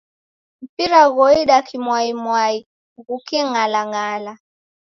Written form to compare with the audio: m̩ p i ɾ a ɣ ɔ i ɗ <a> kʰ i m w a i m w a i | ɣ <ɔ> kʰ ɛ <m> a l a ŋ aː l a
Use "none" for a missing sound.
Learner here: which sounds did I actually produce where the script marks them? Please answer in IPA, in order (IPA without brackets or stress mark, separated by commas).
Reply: a, u, ŋ